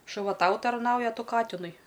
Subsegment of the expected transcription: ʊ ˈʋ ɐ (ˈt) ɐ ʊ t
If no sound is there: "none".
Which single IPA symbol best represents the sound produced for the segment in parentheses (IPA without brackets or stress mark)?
t